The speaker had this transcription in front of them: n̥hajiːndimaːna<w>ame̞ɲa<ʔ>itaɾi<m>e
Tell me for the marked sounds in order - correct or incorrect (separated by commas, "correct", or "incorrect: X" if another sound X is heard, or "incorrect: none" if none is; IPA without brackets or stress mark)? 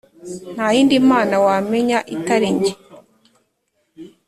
correct, correct, incorrect: ɲ